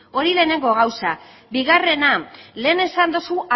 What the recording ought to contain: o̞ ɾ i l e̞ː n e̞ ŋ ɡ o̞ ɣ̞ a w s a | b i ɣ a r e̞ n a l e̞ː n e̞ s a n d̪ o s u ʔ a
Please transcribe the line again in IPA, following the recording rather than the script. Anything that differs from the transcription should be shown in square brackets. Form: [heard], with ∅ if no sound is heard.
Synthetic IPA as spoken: o̞ ɾ i l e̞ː n e̞ ŋ ɡ o̞ ɣ̞ a w s a | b i ɣ a r e̞ n a l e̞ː n e̞ s a n d̪ o s u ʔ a